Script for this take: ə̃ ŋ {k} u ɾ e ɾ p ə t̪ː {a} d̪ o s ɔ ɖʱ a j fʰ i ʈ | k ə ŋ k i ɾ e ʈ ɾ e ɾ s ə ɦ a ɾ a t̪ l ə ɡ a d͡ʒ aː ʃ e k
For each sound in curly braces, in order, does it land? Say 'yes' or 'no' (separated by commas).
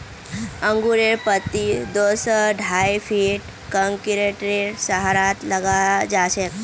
no, no